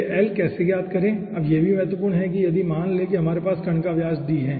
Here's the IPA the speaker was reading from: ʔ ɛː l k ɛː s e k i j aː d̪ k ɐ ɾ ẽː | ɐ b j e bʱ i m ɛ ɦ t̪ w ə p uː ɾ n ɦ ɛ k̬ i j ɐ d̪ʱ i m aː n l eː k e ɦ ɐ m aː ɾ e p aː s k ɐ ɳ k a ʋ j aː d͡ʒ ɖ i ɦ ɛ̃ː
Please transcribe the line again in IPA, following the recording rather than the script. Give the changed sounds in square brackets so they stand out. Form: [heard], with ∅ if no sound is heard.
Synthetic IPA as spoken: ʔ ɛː l k ɛː s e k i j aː d̪ k ɐ ɾ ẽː | ɐ b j e bʱ i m ɛ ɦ t̪ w ə p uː ɾ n ɦ ɛ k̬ i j ɐ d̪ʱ i m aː n l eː k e ɦ ɐ m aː ɾ e p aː s k ɐ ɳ k a ʋ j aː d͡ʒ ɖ i ɦ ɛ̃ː